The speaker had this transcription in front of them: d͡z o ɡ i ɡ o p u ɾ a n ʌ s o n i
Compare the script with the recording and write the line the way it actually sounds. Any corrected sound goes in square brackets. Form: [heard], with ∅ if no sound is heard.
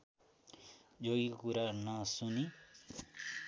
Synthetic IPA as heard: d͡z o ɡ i [k] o [k] u ɾ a n ʌ s [u] n i